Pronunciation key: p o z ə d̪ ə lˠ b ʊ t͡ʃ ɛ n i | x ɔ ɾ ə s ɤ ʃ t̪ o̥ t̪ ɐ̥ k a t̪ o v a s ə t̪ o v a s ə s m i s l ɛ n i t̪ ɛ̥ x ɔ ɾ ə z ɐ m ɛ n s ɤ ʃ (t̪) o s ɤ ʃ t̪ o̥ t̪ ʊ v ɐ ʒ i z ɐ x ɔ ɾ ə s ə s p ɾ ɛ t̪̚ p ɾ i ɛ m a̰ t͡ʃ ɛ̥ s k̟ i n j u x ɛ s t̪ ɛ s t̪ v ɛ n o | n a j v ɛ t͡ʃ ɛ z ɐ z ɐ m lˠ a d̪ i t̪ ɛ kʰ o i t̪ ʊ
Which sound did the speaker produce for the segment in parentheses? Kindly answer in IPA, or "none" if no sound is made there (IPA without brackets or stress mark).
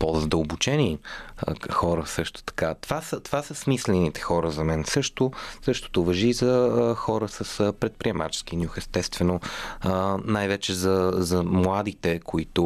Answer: t̪